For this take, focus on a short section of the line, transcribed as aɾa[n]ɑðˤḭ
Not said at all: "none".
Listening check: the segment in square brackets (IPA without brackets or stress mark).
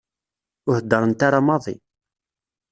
m